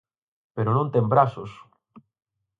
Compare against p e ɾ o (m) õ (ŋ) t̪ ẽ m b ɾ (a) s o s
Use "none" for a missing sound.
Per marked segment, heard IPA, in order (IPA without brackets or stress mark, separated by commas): n, n, a